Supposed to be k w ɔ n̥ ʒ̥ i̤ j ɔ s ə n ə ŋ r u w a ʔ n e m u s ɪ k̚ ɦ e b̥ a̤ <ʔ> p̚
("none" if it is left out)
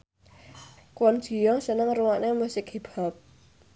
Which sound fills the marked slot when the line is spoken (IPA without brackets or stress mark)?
none